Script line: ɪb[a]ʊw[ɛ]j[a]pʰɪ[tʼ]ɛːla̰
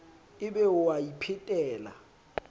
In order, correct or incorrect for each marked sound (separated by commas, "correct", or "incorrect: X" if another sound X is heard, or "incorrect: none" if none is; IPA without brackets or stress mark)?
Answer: incorrect: ɛ, incorrect: a, incorrect: i, correct